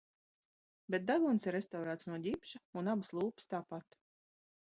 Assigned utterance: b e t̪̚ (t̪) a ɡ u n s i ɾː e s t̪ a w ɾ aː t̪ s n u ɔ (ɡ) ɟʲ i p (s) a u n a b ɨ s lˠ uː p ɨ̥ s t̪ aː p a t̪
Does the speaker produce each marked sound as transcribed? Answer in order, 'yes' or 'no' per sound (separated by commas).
no, no, no